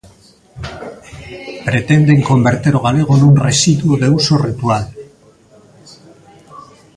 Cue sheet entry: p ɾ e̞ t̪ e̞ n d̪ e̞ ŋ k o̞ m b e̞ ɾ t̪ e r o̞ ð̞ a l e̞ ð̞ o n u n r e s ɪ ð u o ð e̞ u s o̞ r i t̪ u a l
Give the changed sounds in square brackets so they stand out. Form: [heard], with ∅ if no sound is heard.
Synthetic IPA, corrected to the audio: p ɾ e̞ t̪ e̞ n d̪ e̞ ŋ k o̞ m b e̞ ɾ t̪ e [ɾ] o̞ [ɣ̞] a l e̞ [ɣ̞] o n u n r e s [i] ð u o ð e̞ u s o̞ r i t̪ u a l